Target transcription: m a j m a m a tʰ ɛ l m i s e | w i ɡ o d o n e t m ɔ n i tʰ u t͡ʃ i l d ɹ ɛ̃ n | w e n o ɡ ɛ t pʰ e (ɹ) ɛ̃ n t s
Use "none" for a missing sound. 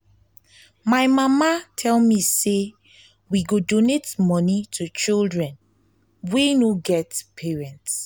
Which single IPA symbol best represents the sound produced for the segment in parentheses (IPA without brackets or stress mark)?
ɹ